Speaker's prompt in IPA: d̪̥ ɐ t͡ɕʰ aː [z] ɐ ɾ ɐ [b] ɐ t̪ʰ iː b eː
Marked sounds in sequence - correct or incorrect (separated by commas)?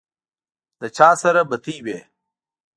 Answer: incorrect, correct